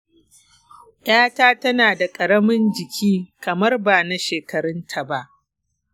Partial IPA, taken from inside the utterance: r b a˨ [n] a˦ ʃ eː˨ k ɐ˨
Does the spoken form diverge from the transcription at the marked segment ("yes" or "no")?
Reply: no